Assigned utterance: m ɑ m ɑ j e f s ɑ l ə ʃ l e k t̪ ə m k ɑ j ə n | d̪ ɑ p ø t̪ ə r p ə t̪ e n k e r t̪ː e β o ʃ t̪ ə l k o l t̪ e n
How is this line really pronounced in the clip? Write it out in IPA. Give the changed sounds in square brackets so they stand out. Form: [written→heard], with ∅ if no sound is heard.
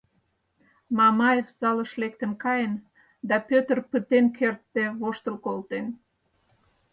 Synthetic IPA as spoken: m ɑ m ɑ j e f s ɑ l ə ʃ l e k t̪ ə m k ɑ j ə n | d̪ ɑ p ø t̪ ə r p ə t̪ e n k e r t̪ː e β o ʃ t̪ ə l k o l t̪ e n

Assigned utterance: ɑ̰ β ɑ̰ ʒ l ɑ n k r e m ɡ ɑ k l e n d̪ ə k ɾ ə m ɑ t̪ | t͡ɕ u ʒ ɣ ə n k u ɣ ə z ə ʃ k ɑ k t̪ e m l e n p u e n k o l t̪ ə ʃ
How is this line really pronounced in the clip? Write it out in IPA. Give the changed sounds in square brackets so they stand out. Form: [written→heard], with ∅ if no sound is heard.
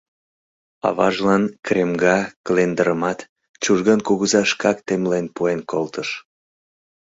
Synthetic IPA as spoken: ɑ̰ β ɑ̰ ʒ l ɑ n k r e m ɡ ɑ k l e n d̪ ə [k→∅] ɾ ə m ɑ t̪ | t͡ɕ u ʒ ɣ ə n k u ɣ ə z [ə→ɑ] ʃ k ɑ k t̪ e m l e n p u e n k o l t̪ ə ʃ

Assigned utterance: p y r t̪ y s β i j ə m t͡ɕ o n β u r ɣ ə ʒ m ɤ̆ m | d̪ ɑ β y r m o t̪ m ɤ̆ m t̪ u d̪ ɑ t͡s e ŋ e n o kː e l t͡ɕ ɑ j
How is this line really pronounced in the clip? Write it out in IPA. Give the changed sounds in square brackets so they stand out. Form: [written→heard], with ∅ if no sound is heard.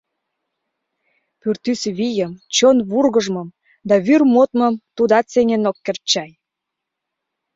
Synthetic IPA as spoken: p y r t̪ y s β i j ə m t͡ɕ o n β u r ɣ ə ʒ m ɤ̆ m | d̪ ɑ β y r m o t̪ m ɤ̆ m t̪ u d̪ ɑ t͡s e ŋ e n o kː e [l→r] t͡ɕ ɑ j

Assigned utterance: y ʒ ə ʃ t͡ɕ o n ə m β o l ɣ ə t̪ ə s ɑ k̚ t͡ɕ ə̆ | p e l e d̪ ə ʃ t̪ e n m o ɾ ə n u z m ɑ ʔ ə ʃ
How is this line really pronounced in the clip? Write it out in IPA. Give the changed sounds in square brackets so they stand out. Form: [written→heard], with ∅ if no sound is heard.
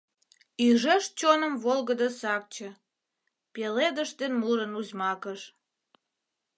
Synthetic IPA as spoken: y ʒ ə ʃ t͡ɕ o n ə m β o l ɣ ə [t̪→d̪] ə s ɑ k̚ t͡ɕ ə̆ | p e l e d̪ ə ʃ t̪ e n m [o→u] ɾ ə n u z m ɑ [ʔ→k] ə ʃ

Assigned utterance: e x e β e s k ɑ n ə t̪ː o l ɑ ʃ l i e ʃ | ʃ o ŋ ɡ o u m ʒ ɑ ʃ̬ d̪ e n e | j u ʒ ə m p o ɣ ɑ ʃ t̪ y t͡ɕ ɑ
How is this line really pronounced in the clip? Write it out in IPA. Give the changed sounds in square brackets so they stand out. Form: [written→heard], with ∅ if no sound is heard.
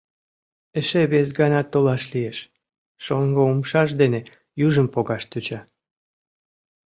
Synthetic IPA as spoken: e [x→ʃ] e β e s [k→ɡ] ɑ n [ə→ɑ] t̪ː o l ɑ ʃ l i e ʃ | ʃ o ŋ ɡ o u m [ʒ→ʃ] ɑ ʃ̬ d̪ e n e | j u ʒ ə m p o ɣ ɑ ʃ t̪ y t͡ɕ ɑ

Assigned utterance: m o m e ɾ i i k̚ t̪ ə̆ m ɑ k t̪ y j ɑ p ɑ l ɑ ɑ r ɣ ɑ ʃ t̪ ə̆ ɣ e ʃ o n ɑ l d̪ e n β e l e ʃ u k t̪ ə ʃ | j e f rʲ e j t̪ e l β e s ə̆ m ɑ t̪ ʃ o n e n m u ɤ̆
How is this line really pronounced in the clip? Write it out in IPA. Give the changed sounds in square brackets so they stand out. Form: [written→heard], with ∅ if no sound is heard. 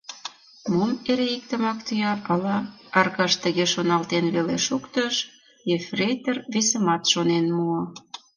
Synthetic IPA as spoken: m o m e ɾ [i→e] i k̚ t̪ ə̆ m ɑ k t̪ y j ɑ p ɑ l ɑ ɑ r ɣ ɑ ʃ t̪ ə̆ ɣ e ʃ o n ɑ l [d̪→t̪] e n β e l e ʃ u k t̪ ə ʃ | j e f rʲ e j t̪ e [l→r] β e s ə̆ m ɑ t̪ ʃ o n e n m u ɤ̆

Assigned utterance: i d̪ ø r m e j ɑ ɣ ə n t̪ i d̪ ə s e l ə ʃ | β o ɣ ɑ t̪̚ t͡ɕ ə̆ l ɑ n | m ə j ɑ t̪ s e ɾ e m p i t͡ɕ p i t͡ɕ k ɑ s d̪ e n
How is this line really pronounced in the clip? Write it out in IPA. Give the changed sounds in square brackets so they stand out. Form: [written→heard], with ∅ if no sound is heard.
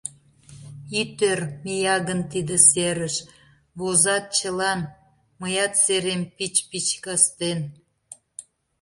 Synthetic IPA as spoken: i [d̪→t̪] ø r m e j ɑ ɣ ə n t̪ i d̪ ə s e [l→ɾ] ə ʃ | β o [ɣ→z] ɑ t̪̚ t͡ɕ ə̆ l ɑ n | m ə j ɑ t̪ s e ɾ e m p i t͡ɕ p i t͡ɕ k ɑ s [d̪→t̪] e n

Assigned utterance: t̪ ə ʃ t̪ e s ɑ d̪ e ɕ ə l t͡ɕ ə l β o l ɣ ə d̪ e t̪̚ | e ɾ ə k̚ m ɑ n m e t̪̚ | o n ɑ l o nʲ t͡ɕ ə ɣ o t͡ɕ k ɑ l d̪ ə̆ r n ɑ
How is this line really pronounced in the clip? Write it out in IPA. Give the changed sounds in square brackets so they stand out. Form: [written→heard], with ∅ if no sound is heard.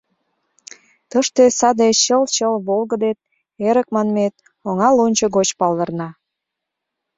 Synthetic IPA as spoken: t̪ ə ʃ t̪ e s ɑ d̪ e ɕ ə l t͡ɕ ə l β o l ɣ ə d̪ e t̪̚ | e ɾ ə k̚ m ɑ n m e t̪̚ | o [n→ŋ] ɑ l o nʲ t͡ɕ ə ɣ o t͡ɕ [k→p] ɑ l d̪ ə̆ r n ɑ

